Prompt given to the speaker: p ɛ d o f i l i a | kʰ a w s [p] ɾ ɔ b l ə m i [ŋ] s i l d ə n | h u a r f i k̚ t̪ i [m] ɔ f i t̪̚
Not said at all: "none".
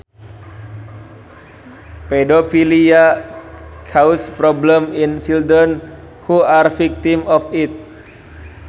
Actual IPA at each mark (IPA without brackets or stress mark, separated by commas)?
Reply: p, n, m